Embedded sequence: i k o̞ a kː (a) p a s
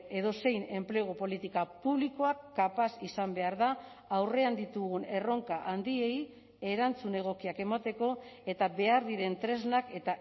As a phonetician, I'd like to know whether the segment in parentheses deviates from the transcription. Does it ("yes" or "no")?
no